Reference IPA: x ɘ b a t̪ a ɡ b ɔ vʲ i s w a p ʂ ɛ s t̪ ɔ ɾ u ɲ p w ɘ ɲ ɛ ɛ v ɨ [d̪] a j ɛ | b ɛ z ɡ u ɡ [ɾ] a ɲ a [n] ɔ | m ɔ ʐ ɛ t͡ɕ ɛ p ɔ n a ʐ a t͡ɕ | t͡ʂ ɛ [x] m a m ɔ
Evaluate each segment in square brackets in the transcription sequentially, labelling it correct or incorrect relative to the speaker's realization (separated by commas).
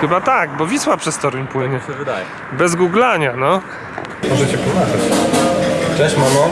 correct, incorrect, correct, incorrect